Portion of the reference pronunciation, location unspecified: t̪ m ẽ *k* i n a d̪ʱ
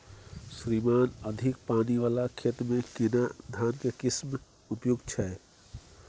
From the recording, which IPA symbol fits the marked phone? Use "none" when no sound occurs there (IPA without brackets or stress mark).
k